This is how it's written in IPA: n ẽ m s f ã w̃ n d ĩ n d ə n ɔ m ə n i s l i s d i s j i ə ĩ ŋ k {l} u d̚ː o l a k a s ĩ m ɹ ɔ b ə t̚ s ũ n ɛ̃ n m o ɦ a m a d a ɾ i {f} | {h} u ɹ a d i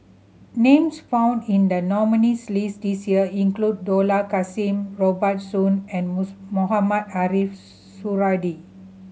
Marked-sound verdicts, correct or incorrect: correct, correct, incorrect: s

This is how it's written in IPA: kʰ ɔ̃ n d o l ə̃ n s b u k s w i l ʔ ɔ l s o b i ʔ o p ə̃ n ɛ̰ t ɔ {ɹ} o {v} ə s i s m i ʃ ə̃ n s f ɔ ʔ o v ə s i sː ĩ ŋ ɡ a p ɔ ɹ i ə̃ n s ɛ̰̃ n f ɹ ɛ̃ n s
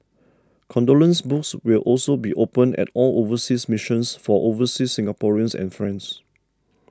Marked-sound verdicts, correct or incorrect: incorrect: l, correct

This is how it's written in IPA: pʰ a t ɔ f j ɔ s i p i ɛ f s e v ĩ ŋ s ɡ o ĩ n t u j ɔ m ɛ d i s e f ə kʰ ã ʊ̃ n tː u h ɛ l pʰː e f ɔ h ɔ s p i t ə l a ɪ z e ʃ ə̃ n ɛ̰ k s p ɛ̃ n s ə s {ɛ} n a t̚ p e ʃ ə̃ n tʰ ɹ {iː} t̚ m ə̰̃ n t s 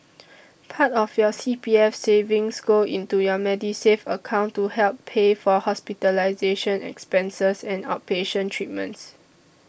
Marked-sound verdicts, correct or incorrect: incorrect: ɛ̃, incorrect: i

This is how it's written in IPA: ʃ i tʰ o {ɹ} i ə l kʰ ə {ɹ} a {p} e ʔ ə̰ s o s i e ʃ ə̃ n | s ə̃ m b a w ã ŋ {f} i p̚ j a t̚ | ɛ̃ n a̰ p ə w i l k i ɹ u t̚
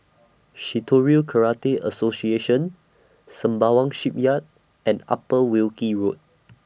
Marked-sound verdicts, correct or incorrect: correct, correct, incorrect: t, incorrect: ʃ

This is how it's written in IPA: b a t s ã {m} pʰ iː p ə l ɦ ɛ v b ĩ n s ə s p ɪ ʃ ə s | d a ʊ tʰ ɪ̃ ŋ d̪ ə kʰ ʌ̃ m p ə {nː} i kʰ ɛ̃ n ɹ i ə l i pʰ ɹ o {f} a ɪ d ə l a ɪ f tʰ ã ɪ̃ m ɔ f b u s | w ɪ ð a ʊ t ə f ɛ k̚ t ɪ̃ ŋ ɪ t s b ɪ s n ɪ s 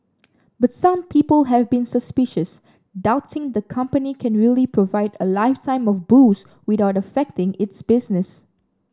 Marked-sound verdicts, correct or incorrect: correct, incorrect: n, incorrect: v

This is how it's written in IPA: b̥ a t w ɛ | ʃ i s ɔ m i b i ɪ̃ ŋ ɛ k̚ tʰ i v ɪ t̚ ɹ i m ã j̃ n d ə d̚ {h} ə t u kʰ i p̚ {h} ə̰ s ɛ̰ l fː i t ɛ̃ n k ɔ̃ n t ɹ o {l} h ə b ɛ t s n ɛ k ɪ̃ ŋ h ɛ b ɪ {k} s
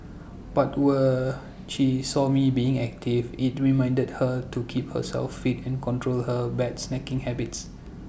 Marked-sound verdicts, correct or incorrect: correct, correct, correct, incorrect: t

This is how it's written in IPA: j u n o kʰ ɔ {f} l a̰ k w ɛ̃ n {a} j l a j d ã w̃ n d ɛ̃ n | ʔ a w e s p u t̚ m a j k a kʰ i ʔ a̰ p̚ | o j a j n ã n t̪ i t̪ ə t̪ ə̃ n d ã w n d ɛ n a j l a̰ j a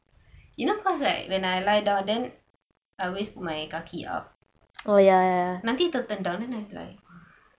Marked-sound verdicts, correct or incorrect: incorrect: s, correct

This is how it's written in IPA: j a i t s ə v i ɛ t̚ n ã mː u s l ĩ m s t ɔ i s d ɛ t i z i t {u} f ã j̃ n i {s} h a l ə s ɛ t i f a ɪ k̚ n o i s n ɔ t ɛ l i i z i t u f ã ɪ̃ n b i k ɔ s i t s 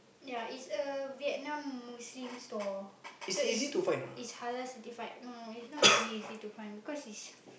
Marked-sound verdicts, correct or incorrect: correct, correct

